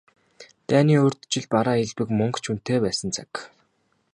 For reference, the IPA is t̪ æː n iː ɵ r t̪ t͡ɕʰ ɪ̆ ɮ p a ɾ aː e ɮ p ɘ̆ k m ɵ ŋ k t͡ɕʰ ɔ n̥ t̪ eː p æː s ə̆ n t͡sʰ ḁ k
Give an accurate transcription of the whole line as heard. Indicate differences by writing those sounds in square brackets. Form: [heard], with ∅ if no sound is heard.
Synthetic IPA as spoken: t̪ æː n iː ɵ r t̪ [t͡ɕ] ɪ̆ ɮ p a ɾ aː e ɮ p ɘ̆ k m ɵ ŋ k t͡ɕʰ [u] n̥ t̪ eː p æː s ə̆ n t͡sʰ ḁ k